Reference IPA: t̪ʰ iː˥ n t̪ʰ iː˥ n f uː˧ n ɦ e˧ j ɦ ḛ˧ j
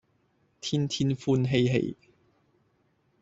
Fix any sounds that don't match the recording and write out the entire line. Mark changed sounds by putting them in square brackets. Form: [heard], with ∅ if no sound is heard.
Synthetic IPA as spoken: t̪ʰ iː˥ n t̪ʰ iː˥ n f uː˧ n ɦ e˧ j ɦ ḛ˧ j